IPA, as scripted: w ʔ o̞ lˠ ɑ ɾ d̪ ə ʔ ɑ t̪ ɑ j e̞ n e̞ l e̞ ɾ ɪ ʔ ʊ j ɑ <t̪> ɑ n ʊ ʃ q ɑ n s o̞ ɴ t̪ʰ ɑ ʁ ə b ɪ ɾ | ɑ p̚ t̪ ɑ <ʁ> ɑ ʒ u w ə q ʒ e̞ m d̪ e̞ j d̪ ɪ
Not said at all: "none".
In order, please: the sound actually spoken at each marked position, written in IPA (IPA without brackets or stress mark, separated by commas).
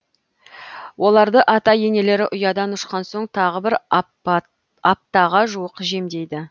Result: d̪, ʁ